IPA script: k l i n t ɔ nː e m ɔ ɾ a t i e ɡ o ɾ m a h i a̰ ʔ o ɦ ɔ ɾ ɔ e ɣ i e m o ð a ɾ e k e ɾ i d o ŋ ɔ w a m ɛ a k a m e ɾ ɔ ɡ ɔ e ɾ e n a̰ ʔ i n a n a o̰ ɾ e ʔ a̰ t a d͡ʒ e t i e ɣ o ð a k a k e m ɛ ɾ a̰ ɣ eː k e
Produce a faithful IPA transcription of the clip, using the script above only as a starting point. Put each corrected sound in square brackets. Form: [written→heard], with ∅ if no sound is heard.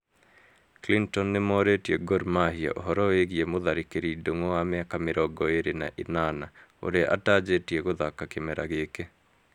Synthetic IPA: k l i n t ɔ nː e m ɔ ɾ [a→e] t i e ɡ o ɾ m a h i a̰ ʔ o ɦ ɔ ɾ ɔ e ɣ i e m o ð a ɾ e k e ɾ i d o ŋ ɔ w a m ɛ a k a m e ɾ ɔ ɡ ɔ e ɾ e n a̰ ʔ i n a n a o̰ ɾ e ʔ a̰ t a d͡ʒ e t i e ɣ o ð a k a k e m ɛ ɾ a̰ ɣ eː k e